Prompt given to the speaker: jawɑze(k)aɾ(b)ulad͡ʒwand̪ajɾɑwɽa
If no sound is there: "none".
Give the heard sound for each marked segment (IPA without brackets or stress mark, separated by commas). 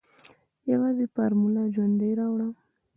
p, m